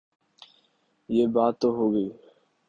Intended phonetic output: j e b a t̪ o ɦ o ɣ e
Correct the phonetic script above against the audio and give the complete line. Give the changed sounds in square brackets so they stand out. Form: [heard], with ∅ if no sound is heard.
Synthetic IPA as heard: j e b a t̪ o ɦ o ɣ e